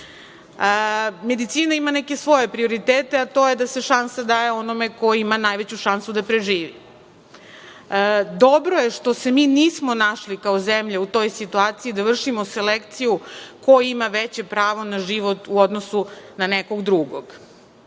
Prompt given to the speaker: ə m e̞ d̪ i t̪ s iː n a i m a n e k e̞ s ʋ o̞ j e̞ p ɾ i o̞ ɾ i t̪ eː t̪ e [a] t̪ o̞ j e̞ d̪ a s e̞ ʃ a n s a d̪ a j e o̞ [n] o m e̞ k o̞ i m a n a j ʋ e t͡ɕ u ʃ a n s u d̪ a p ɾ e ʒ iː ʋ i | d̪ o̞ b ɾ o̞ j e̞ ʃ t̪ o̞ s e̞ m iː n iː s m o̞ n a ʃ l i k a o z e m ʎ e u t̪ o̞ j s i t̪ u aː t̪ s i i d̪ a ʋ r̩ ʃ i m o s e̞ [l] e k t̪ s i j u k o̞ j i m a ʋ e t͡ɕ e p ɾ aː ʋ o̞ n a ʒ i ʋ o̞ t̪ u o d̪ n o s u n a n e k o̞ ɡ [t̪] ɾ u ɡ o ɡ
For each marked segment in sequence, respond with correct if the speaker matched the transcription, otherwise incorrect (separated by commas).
correct, correct, correct, incorrect